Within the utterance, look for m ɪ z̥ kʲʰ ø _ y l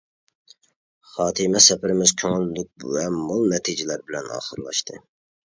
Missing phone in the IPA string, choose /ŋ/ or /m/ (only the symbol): ŋ